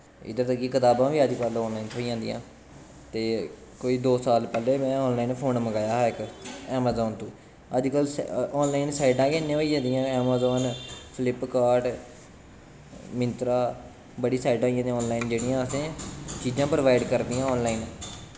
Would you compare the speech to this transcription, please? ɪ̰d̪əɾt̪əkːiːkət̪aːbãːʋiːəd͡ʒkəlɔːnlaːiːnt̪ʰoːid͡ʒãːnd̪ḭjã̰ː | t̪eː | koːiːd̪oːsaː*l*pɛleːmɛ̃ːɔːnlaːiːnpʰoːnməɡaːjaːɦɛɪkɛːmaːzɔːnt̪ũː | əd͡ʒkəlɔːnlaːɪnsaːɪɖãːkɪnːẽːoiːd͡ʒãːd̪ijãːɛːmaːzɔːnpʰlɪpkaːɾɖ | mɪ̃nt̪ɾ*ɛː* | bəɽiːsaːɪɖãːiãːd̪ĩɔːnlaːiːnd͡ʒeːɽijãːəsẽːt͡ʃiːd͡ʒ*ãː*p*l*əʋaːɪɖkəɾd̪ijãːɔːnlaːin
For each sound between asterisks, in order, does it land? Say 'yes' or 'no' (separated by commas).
yes, no, yes, no